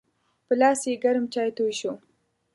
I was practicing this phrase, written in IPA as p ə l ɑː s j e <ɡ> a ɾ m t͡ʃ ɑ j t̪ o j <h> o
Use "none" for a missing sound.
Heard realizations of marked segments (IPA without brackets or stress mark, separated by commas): ɡ, ʃ